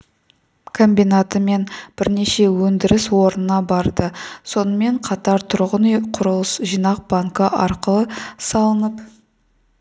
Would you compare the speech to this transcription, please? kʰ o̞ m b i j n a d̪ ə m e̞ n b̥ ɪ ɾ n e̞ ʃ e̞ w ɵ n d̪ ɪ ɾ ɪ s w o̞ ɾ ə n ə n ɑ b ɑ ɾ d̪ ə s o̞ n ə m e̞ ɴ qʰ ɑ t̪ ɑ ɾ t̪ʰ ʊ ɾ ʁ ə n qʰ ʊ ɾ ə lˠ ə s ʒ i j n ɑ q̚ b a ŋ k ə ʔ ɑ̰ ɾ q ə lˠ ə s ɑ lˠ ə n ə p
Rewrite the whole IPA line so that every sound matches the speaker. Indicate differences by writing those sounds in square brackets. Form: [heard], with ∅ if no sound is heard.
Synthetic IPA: kʰ o̞ m b i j n a [t̪] ə m e̞ n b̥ ɪ ɾ n e̞ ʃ e̞ w ɵ n d̪ ɪ ɾ ɪ s w o̞ ɾ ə n ə n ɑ b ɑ ɾ d̪ ə s o̞ n ə m e̞ ɴ qʰ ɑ t̪ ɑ ɾ t̪ʰ ʊ ɾ ʁ ə n qʰ ʊ ɾ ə lˠ ə s ʒ i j n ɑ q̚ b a ŋ k ə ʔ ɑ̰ ɾ q ə lˠ ə s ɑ lˠ ə n ə p